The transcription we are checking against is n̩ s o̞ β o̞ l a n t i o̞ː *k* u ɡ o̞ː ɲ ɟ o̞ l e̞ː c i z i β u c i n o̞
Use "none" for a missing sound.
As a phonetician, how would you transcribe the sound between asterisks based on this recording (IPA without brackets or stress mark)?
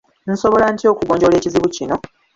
k